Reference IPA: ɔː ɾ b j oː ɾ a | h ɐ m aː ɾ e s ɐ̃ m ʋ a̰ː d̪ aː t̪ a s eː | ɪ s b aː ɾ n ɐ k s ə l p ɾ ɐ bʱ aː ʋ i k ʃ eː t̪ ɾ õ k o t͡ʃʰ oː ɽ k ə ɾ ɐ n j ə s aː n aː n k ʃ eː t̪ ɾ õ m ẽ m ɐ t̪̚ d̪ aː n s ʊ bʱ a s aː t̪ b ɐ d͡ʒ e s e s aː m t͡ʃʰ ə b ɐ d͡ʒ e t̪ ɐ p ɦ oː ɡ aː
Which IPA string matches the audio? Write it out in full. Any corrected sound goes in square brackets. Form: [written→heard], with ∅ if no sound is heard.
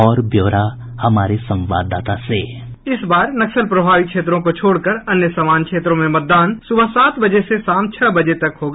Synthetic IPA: ɔː ɾ b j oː ɾ a | h ɐ m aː ɾ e s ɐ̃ m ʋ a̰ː d̪ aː t̪ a s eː | ɪ s b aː ɾ n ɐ k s ə l p ɾ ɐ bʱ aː ʋ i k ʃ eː t̪ ɾ õ k o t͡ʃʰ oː ɽ k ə ɾ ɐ n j ə s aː [n→m] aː n k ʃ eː t̪ ɾ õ m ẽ m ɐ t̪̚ d̪ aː n s ʊ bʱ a s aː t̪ b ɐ d͡ʒ e s e s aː m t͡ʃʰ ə b ɐ d͡ʒ e t̪ ɐ [p→k] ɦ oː ɡ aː

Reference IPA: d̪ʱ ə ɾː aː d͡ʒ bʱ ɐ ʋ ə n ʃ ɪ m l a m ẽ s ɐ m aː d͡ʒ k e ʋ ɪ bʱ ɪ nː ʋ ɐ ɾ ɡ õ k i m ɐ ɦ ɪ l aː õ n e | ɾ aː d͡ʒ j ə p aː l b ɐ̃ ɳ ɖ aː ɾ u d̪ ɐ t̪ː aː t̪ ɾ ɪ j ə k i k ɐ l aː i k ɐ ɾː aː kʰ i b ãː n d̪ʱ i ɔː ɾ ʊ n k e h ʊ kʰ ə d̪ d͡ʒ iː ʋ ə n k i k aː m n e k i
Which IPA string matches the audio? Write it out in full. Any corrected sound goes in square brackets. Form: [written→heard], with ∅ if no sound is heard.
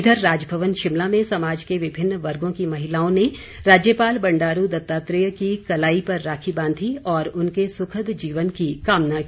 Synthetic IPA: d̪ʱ ə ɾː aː d͡ʒ bʱ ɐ ʋ ə n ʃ ɪ m l a m ẽ s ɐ m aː d͡ʒ k e ʋ ɪ bʱ ɪ nː ʋ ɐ ɾ ɡ õ k i m ɐ ɦ ɪ l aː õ n e | ɾ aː d͡ʒ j ə p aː l b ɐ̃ ɳ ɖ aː ɾ u d̪ ɐ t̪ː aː t̪ ɾ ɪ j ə k i k ɐ l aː i [k→p] ɐ ɾː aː kʰ i b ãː n d̪ʱ i ɔː ɾ ʊ n k e [h→s] ʊ kʰ ə d̪ d͡ʒ iː ʋ ə n k i k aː m n [e→a] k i

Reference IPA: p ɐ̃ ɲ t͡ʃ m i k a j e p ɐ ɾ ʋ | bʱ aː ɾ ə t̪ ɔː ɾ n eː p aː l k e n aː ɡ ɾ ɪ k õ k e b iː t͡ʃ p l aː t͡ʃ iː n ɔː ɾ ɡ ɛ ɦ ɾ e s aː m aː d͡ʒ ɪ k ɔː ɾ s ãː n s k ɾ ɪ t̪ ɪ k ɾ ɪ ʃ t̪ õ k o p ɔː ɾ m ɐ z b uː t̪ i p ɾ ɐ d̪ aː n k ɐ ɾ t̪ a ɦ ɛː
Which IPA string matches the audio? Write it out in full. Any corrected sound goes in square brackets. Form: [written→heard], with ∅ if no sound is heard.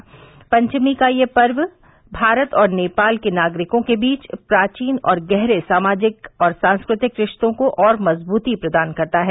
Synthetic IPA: p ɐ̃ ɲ t͡ʃ m i k a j e p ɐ ɾ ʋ | bʱ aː ɾ ə t̪ ɔː ɾ n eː p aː l k e n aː ɡ ɾ ɪ k õ k e b iː t͡ʃ p [l→ɾ] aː t͡ʃ iː n ɔː ɾ ɡ ɛ ɦ ɾ e s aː m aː d͡ʒ ɪ k ɔː ɾ s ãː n s k ɾ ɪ t̪ ɪ k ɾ ɪ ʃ t̪ õ k o [p→ʔ] ɔː ɾ m ɐ z b uː t̪ i p ɾ ɐ d̪ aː n k ɐ ɾ t̪ a ɦ ɛː

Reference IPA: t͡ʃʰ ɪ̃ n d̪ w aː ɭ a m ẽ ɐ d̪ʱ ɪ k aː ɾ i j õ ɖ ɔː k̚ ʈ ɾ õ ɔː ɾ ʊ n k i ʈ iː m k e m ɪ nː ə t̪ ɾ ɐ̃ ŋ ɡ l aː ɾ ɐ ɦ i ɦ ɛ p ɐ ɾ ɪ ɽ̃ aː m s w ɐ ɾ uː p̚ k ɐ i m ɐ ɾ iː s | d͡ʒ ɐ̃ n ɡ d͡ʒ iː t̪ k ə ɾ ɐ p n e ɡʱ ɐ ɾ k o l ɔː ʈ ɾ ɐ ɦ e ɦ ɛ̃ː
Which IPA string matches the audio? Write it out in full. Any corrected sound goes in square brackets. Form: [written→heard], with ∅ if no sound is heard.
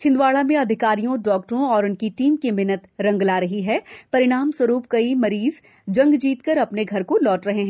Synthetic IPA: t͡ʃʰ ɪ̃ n d̪ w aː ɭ a m ẽ ɐ d̪ʱ ɪ k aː ɾ i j õ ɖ ɔː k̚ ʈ ɾ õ ɔː ɾ ʊ n k i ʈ iː m k e m ɪ [nː→n] ə t̪ ɾ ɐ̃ ŋ ɡ l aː ɾ ɐ ɦ i ɦ ɛ p ɐ ɾ ɪ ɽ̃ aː m s w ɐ ɾ uː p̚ k ɐ i m ɐ ɾ iː [s→z] | d͡ʒ ɐ̃ [n→ŋ] ɡ d͡ʒ iː t̪ k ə ɾ ɐ p n e ɡʱ ɐ ɾ k o l ɔː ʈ ɾ ɐ ɦ e ɦ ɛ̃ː

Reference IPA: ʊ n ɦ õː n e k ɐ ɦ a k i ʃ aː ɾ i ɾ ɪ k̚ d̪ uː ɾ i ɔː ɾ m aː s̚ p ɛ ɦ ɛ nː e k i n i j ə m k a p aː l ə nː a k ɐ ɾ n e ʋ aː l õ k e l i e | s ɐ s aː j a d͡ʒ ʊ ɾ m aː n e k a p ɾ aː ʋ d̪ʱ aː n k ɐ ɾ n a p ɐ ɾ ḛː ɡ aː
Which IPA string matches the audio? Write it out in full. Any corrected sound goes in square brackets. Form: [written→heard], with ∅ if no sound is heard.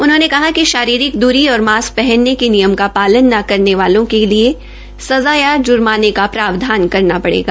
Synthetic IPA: ʊ n ɦ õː n e k ɐ ɦ a k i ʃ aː ɾ [i→iː] ɾ ɪ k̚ d̪ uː ɾ i ɔː ɾ m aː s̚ p ɛ ɦ ɛ nː e k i n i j ə m k a p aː l ə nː a k ɐ ɾ n e ʋ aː l õ k e l i e | s ɐ [s→z] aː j a d͡ʒ ʊ ɾ m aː n e k a p ɾ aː ʋ d̪ʱ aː n k ɐ ɾ n a p ɐ [ɾ→ɽ] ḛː ɡ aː

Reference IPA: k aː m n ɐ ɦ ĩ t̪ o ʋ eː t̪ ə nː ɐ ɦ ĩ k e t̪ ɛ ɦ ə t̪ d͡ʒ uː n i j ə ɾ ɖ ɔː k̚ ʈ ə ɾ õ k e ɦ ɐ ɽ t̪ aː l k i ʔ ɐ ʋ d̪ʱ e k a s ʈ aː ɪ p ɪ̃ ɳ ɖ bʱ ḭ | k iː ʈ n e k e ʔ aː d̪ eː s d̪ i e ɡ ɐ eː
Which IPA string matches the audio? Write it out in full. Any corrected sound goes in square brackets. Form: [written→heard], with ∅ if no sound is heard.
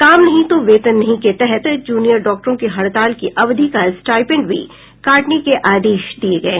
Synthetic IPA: k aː m n ɐ ɦ ĩ t̪ o ʋ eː t̪ ə nː ɐ ɦ ĩ k e t̪ ɛ ɦ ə t̪ d͡ʒ uː n i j ə ɾ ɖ ɔː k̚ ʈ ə ɾ õ k e ɦ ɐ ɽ t̪ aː l k i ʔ ɐ ʋ d̪ʱ [e→i] k a s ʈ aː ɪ p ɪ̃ ɳ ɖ bʱ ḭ | k [iː→aː] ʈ n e k e ʔ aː d̪ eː [s→ʃ] d̪ i e ɡ ɐ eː

